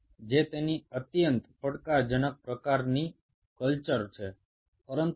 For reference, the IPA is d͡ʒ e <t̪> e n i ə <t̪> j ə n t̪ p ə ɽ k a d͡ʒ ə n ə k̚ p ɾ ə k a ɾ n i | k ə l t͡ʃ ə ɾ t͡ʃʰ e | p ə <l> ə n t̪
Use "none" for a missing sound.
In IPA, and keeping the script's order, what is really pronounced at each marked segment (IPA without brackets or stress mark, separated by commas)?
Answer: t̪, t̪, ɾ